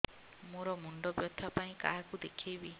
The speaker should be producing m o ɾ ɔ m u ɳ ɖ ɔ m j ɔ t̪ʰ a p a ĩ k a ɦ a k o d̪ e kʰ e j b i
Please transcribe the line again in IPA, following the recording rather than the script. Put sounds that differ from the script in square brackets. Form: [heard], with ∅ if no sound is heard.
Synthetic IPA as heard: m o ɾ ɔ m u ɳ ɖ ɔ [b] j ɔ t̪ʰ a p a ĩ k a ɦ a k [u] d̪ e kʰ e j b i